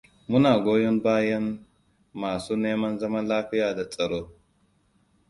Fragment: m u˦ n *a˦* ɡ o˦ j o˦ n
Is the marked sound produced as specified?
no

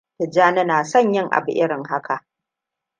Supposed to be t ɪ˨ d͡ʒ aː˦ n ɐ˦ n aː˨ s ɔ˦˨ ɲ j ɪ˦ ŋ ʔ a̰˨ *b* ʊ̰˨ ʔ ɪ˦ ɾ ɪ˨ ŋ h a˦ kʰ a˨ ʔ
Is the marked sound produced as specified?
yes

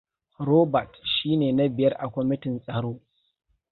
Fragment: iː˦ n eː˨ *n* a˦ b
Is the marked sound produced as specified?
yes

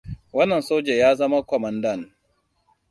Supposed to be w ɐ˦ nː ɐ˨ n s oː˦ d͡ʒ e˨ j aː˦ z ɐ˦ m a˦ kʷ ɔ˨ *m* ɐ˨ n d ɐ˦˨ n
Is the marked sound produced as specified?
yes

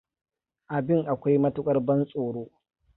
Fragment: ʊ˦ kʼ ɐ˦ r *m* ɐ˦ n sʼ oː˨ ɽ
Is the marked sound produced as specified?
no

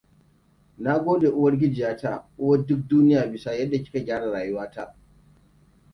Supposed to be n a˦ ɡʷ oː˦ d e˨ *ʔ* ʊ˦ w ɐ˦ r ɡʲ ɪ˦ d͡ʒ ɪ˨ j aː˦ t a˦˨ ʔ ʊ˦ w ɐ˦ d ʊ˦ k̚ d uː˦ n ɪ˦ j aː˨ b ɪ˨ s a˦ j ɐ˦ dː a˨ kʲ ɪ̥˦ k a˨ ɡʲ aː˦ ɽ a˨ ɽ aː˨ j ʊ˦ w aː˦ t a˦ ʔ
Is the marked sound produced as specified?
yes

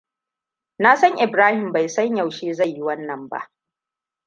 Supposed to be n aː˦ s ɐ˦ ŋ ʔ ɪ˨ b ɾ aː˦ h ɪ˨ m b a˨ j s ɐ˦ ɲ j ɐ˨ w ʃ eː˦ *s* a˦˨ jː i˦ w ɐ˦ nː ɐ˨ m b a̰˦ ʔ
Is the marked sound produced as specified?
no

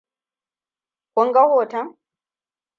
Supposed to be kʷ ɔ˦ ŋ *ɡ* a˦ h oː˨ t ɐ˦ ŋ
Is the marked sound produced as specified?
yes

